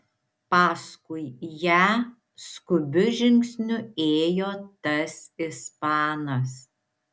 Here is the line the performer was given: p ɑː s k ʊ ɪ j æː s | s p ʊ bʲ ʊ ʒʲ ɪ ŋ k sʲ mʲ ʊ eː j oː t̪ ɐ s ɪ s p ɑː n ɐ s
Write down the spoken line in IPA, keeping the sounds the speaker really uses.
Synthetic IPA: p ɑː s k ʊ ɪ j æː | s k ʊ bʲ ʊ ʒʲ ɪ ŋ k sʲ nʲ ʊ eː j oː t̪ ɐ s ɪ s p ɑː n ɐ s